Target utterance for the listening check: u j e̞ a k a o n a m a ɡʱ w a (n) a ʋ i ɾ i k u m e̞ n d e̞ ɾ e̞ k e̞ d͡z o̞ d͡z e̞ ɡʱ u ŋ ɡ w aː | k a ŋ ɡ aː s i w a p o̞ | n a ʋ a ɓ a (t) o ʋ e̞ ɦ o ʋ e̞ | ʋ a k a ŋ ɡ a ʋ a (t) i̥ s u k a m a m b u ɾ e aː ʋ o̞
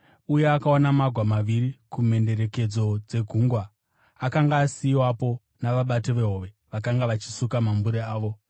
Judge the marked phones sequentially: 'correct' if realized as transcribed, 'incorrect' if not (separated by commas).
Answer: incorrect, correct, incorrect